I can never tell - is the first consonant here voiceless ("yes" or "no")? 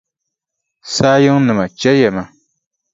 yes